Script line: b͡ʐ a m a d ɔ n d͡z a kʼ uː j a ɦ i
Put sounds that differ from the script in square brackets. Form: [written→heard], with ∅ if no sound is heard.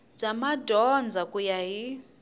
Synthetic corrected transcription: b͡ʐ a m a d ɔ n d͡z a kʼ [uː→u] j a ɦ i